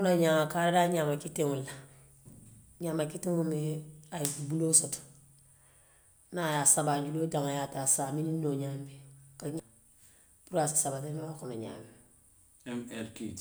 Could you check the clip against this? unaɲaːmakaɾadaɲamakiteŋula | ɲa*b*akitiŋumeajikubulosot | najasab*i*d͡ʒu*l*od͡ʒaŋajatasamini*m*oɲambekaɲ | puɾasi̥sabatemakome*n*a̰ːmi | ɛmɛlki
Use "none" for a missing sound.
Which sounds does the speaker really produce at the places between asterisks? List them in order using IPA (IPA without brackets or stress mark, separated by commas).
m, a, l, n, ɲ